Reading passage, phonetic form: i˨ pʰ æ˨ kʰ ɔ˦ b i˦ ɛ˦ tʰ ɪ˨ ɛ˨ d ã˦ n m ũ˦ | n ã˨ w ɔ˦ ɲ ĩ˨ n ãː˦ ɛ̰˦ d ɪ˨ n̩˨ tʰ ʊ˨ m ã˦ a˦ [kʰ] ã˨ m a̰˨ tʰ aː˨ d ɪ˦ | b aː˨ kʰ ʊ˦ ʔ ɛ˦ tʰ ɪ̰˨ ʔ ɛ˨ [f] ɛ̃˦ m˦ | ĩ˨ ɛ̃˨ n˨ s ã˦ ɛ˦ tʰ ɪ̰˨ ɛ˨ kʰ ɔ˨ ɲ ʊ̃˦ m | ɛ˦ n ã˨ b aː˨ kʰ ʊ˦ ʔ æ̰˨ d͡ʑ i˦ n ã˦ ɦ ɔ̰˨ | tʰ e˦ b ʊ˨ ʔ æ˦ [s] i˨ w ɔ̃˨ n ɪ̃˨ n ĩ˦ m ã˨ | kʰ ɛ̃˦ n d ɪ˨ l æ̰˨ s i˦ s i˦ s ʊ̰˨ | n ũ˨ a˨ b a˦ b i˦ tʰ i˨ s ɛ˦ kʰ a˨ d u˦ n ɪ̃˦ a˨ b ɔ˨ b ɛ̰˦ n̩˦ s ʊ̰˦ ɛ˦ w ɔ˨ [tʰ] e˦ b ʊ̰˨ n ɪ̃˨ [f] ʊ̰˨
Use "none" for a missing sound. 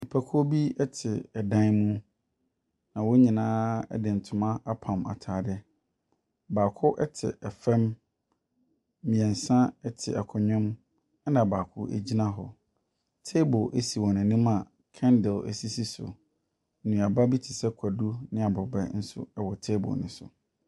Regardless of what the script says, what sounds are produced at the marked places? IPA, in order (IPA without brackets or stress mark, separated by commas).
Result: pʰ, f, s, tʰ, s